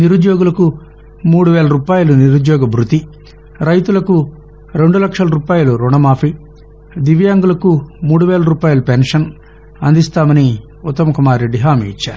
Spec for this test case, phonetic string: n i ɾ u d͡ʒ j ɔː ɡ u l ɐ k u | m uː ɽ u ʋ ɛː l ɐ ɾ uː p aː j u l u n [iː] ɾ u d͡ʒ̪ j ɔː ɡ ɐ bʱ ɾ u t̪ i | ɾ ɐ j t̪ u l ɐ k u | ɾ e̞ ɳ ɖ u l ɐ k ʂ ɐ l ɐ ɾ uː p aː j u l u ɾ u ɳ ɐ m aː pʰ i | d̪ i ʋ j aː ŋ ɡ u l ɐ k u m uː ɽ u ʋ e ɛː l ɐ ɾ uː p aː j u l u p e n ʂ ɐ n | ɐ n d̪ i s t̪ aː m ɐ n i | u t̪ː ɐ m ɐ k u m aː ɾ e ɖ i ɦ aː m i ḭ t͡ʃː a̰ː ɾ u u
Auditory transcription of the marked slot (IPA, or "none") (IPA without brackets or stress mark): i